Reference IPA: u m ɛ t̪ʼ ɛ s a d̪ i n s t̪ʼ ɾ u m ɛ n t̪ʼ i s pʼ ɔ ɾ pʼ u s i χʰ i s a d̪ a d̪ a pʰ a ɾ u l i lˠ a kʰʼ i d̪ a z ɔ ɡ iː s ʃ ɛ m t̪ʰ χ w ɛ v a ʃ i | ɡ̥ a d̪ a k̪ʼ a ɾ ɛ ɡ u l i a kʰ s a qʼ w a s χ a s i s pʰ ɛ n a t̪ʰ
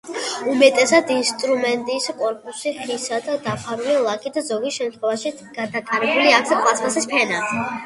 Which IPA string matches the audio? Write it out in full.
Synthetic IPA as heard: u m ɛ t̪ʼ ɛ s a d̪ i n s t̪ʼ ɾ u m ɛ n t̪ʼ i s kʼ ɔ ɾ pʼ u s i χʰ i s a d̪ a d̪ a pʰ a ɾ u l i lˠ a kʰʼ i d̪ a z ɔ ɡ i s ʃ ɛ m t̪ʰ χ w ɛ v a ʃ i | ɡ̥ a d̪ a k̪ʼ a ɾ ɛ b u l i a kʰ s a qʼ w a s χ a s i s pʰ ɛ n a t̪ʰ

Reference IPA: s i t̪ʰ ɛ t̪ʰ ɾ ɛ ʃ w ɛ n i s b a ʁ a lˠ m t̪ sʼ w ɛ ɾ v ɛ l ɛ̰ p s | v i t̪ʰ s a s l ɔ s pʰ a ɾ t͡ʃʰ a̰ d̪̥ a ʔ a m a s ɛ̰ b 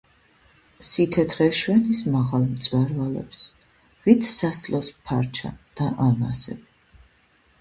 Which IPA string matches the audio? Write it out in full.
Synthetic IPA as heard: s i t̪ʰ ɛ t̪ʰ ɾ ɛ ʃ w ɛ n i s m a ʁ a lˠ m t̪ sʼ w ɛ ɾ v a l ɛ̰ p s | v i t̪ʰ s a s l ɔ s pʰ a ɾ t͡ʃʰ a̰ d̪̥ a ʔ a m a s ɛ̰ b

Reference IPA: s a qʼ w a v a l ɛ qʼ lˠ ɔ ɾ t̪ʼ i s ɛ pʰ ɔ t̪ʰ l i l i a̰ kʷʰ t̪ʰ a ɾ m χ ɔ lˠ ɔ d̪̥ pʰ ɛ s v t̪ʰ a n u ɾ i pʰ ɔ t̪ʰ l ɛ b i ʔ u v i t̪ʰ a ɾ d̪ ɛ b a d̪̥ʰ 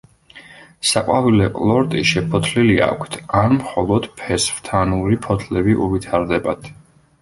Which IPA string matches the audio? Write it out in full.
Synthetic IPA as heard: s a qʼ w a v i l ɛ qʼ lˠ ɔ ɾ t̪ʼ i ʃ ɛ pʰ ɔ t̪ʰ l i l i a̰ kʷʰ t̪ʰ a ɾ m χ ɔ lˠ ɔ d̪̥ pʰ ɛ s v t̪ʰ a n u ɾ i pʰ ɔ t̪ʰ l ɛ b i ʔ u v i t̪ʰ a ɾ d̪ ɛ b a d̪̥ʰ

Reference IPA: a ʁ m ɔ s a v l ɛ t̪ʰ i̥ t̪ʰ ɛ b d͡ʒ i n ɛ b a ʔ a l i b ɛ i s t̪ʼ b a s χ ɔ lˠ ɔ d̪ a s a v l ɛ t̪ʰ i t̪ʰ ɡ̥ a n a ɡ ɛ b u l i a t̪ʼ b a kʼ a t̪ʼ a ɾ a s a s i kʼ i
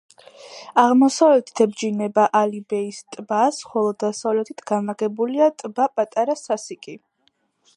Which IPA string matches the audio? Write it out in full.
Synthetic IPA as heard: a ʁ m ɔ s a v l ɛ t̪ʰ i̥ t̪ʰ ɛ b d͡ʒ i n ɛ b a ʔ a l i b ɛ i s t̪ʼ b a s χ ɔ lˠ ɔ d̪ a s a v l ɛ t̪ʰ i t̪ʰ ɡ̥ a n a ɡ ɛ b u l i a t̪ʼ b a pʼ a t̪ʼ a ɾ a s a s i kʼ i

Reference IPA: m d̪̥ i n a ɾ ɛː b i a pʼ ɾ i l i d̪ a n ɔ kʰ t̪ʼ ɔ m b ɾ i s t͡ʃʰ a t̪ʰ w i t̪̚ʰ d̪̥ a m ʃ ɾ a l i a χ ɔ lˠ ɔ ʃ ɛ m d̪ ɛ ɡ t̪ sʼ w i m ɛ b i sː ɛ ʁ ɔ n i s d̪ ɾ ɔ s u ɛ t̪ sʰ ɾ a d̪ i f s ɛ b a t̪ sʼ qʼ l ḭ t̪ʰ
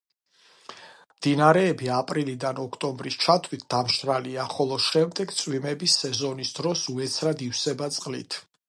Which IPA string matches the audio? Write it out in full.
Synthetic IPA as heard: m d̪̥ i n a ɾ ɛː b i a pʼ ɾ i l i d̪ a n ɔ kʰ t̪ʼ ɔ m b ɾ i s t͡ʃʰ a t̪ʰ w i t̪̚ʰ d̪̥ a m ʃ ɾ a l i a χ ɔ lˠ ɔ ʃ ɛ m d̪ ɛ ɡ t̪ sʼ w i m ɛ b i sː ɛ z ɔ n i s d̪ ɾ ɔ s u ɛ t̪ sʰ ɾ a d̪ i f s ɛ b a t̪ sʼ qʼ l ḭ t̪ʰ

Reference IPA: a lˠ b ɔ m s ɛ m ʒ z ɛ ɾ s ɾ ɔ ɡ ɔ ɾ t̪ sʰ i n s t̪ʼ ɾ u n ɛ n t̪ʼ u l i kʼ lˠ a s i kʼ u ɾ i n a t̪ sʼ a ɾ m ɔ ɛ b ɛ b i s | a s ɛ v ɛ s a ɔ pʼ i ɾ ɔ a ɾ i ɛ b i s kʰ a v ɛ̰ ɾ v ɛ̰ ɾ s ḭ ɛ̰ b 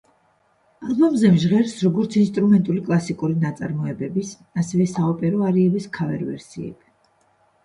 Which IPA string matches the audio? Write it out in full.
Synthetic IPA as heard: a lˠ b ɔ m z ɛ m ʒ ʁ ɛ ɾ s ɾ ɔ ɡ ɔ ɾ t̪ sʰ i n s t̪ʼ ɾ u m ɛ n t̪ʼ u l i kʼ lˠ a s i kʼ u ɾ i n a t̪ sʼ a ɾ m ɔ ɛ b ɛ b i s | a s ɛ v ɛ s a ɔ pʼ ɛ ɾ ɔ a ɾ i ɛ b i s kʰ a v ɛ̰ ɾ v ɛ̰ ɾ s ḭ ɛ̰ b

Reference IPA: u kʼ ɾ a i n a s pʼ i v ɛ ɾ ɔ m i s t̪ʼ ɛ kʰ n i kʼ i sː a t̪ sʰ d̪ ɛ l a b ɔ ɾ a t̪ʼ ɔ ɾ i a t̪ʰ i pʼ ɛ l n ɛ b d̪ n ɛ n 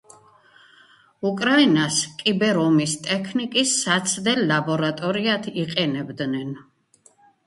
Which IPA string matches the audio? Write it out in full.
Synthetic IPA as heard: u kʼ ɾ a i n a s kʼ i b ɛ ɾ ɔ m i s t̪ʼ ɛ kʰ n i kʼ i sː a t̪ sʰ d̪ ɛ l a b ɔ ɾ a t̪ʼ ɔ ɾ i a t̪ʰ i qʼ ɛ n ɛ b d̪ n ɛ n

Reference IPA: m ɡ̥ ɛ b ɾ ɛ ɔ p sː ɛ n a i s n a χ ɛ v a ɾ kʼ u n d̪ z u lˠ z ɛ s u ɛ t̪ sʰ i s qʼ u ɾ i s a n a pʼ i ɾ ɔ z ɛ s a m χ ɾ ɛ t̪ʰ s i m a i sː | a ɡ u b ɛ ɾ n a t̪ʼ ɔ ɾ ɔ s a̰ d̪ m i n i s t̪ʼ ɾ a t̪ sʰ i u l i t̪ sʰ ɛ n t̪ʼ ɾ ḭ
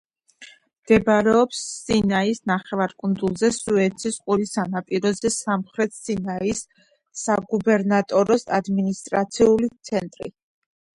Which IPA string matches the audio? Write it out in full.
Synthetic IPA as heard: m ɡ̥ ɛ b ɾ ɛ ɔ p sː i n a i s n a χ ɛ v a ɾ kʼ u n d̪ z u lˠ z ɛ s u ɛ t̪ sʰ i s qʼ u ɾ i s a n a pʼ i ɾ ɔ z ɛ s a m χ ɾ ɛ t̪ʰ s i n a i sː | a ɡ u b ɛ ɾ n a t̪ʼ ɔ ɾ ɔ s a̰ d̪ m i n i s t̪ʼ ɾ a t̪ sʰ i u l i t̪ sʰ ɛ n t̪ʼ ɾ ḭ

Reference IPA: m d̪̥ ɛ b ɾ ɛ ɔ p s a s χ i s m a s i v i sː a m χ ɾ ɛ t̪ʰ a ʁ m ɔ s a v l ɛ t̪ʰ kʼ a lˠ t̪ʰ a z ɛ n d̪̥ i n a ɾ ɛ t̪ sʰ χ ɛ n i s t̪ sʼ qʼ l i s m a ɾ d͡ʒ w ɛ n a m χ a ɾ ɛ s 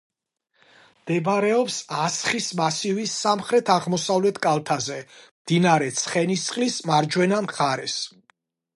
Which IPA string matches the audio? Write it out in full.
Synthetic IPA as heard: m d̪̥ ɛ b ɾ ɛ ɔ p s a s χ i s m a s i v i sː a m χ ɾ ɛ t̪ʰ a ʁ m ɔ s a v l ɛ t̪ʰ kʼ a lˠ t̪ʰ a z ɛ m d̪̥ i n a ɾ ɛ t̪ sʰ χ ɛ n i s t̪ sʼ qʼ l i s m a ɾ d͡ʒ w ɛ n a m χ a ɾ ɛ s

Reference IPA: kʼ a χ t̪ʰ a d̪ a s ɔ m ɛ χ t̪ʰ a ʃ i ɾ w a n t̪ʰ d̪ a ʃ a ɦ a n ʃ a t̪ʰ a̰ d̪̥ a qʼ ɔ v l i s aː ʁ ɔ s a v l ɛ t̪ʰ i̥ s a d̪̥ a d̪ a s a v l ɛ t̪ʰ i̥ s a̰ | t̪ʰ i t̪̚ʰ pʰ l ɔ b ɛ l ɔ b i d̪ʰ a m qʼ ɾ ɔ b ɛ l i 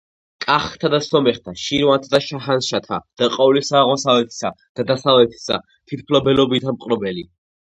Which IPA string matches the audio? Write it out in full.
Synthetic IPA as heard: kʼ a χ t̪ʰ a d̪ a s ɔ m ɛ χ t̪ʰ a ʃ i ɾ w a n t̪ʰ d̪ a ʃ a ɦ a n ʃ a t̪ʰ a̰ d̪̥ a qʼ ɔ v l i s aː ʁ ɔ s a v l ɛ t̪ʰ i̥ s a d̪̥ a d̪ a s a v l ɛ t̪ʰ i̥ s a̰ | t̪ʰ i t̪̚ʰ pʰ l ɔ b ɛ l ɔ b i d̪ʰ a m qʼ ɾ ɔ b ɛ l i

